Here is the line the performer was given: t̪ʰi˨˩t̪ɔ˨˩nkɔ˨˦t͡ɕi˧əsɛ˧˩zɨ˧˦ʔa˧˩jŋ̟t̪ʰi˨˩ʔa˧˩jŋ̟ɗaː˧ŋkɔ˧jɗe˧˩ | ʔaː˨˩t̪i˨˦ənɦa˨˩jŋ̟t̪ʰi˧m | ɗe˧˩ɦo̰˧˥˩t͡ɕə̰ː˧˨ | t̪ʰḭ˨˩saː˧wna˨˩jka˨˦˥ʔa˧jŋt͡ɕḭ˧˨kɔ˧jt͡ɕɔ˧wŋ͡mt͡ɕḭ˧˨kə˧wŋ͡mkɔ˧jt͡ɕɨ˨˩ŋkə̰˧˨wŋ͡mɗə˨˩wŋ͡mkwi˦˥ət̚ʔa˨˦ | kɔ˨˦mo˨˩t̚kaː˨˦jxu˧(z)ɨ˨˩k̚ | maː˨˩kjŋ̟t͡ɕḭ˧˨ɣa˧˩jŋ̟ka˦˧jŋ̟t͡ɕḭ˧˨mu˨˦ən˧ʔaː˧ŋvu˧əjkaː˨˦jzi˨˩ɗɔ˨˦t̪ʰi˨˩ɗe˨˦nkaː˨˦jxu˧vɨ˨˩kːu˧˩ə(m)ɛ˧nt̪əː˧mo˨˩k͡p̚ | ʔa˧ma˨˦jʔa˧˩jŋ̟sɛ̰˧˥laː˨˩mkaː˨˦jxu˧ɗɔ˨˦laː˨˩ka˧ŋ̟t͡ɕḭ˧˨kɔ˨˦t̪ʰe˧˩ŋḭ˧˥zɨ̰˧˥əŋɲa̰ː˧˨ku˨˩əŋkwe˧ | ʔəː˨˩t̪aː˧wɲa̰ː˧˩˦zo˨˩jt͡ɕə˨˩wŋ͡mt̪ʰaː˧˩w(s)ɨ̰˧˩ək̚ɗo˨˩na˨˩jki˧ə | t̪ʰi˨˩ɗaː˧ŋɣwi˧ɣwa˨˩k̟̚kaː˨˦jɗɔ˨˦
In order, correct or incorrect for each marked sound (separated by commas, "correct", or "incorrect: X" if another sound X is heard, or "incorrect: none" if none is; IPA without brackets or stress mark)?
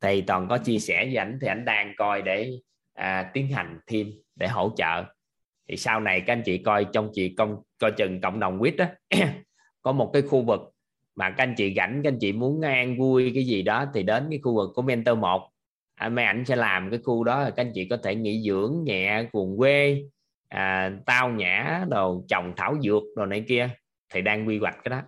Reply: incorrect: v, correct, incorrect: z